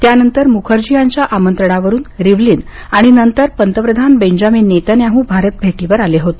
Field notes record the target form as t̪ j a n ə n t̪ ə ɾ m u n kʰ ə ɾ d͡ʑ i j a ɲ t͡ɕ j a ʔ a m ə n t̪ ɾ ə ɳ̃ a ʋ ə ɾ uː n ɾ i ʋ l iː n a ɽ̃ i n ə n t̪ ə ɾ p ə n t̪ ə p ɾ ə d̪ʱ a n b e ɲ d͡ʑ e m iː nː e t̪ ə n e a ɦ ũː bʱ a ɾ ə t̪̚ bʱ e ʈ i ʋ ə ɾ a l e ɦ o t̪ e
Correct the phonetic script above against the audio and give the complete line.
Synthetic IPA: t̪ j a n ə n t̪ ə ɾ m u kʰ ə ɾ d͡ʑ i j a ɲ t͡ɕ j a ʔ a m ə n t̪ ɾ ə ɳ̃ a ʋ ə ɾ uː n ɾ i ʋ l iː n a ɽ̃ i n ə n t̪ ə ɾ p ə n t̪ ə p ɾ ə d̪ʱ a n b e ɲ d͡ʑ a m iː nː e t̪ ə n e a ɦ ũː bʱ a ɾ ə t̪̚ bʱ e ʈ i ʋ ə ɾ a l e ɦ o t̪ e

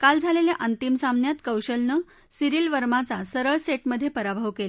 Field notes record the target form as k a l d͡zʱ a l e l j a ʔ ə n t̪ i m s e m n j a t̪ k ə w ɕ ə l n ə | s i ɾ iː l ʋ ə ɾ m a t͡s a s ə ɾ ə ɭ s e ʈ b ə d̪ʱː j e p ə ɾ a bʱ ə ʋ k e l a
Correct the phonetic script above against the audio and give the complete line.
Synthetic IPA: k a l d͡zʱ a l e l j a ʔ ə n t̪ i m s a m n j a t̪ k ə w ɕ ə l n ə | s i ɾ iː l ʋ ə ɾ m a t͡s a s ə ɾ ə ɭ s e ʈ m ə d̪ʱː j e p ə ɾ a bʱ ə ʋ k e l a

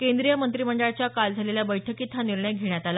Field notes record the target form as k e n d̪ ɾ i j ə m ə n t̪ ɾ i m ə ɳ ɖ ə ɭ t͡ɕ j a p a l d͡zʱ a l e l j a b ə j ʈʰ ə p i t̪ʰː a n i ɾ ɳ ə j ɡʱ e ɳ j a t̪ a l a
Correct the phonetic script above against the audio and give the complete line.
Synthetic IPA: k e n d̪ ɾ i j ə m ə n t̪ ɾ i m ə ɳ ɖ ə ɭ t͡ɕ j a k a l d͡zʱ a l e l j a b ə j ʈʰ ə k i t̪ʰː a n i ɾ ɳ ə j ɡʱ e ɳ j a t̪ a l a

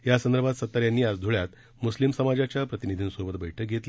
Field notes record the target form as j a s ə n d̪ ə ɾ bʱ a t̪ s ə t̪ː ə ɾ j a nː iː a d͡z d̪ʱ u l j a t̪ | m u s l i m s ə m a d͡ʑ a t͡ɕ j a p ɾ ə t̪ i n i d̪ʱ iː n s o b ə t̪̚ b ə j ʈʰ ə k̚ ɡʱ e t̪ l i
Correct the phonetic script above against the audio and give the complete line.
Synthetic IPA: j a s ə n d̪ ə ɾ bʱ a t̪ s ə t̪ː ə ɾ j a nː iː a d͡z d̪ʱ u ɭ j a t̪ | m u s l i m s ə m a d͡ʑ a t͡ɕ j a p ɾ ə t̪ i n i d̪ʱ iː n s o b ə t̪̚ b ə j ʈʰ ə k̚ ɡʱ e t̪ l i

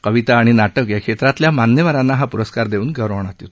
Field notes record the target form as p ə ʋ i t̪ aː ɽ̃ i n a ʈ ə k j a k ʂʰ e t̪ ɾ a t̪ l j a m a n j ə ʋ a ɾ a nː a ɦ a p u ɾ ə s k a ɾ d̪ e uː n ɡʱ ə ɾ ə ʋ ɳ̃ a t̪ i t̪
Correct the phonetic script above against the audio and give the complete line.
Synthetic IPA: k ə ʋ i t̪ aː ɽ̃ i n a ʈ ə k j a k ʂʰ e t̪ ɾ a t̪ l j a m a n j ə ʋ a ɾ a nː a ɦ a p u ɾ ə s k a ɾ d̪ e uː n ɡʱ ə ɾ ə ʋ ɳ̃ a t̪ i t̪

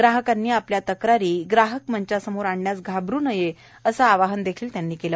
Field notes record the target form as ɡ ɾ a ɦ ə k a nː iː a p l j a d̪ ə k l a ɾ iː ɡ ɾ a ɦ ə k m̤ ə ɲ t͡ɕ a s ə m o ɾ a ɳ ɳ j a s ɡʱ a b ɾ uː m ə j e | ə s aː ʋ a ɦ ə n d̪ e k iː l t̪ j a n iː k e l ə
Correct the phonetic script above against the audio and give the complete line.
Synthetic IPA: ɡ ɾ a ɦ ə k a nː iː a p l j a t̪ ə k ɾ a ɾ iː ɡ ɾ a ɦ ə k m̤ ə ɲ t͡ɕ a s ə m o ɾ a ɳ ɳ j a s ɡʱ a b ɾ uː n ə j e | ə s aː ʋ a ɦ ə n d̪ e kʰ iː l t̪ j a nː iː k e l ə

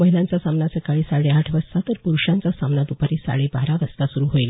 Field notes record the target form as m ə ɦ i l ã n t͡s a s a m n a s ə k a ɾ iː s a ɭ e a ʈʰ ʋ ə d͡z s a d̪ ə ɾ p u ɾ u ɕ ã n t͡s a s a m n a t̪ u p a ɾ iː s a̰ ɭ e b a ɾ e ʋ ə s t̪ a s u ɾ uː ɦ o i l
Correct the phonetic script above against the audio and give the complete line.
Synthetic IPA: m ə ɦ i l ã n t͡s a s a m n a s ə k a ɭ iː s a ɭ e a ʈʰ ʋ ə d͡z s a t̪ ə ɾ p u ɾ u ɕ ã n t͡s a s a m n a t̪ u p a ɾ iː s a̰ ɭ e b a ɾ a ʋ ə s t̪ a s u ɾ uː ɦ o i l

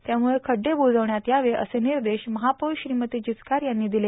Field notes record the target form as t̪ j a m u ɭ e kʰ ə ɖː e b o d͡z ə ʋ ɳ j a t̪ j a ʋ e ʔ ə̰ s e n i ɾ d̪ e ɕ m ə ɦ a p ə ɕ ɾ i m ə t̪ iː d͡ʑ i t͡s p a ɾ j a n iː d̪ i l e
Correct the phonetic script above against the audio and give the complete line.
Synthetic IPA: t̪ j a m u ɭ e kʰ ə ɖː e b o d͡z ə ʋ ɳ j a t̪ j a ʋ e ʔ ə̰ s e n i ɾ d̪ e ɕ m ə ɦ a p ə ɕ ɾ i m ə t̪ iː d͡ʑ i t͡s k a ɾ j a nː iː d̪ i l e

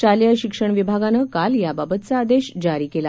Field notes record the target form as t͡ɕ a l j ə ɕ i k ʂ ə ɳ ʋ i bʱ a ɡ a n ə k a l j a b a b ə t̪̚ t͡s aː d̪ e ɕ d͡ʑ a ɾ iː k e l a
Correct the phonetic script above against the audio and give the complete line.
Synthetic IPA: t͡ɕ a l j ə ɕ i k ʂ ə ɳ ʋ i bʱ a ɡ a n ə k a l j a b a b ə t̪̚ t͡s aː d̪ e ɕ d͡ʑ a ɾ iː k e l a

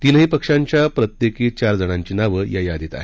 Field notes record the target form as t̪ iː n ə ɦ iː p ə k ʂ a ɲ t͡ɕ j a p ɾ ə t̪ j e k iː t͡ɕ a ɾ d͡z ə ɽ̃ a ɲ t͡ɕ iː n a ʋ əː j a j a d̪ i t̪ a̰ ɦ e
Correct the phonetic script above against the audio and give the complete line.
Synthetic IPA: t̪ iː n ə ɦ iː p ə k ʂ a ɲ t͡ɕ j a p ɾ ə t̪ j e k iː t͡ɕ a ɾ d͡z ə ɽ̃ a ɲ t͡ɕ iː n a ʋ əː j a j a d̪ i t̪ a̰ ɦ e

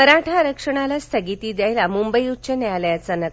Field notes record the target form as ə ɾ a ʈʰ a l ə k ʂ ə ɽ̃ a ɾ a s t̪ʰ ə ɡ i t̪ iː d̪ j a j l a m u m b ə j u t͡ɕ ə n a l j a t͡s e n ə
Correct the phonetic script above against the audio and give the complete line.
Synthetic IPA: ə ɾ a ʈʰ a ɾ ə k ʂ ə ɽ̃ a l a s t̪ʰ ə ɡ i t̪ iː d̪ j a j l a m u m b ə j u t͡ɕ ə n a l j a t͡s a n ə

